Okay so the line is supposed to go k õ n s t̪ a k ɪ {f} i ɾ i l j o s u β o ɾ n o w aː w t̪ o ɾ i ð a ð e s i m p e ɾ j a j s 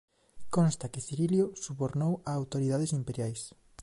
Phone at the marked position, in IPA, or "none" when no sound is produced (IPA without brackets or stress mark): θ